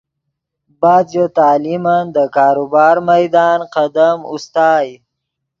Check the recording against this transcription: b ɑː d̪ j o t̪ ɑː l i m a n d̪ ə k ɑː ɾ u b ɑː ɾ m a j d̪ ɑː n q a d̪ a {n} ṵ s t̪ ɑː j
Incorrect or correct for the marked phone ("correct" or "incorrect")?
incorrect